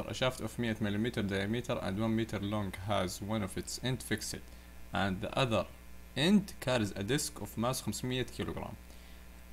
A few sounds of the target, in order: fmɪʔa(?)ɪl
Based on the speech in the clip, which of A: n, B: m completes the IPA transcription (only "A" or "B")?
B